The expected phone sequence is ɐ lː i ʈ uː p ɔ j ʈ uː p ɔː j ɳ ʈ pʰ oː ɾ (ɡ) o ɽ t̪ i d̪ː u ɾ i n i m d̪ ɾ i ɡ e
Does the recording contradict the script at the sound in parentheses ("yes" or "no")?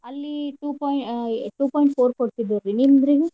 yes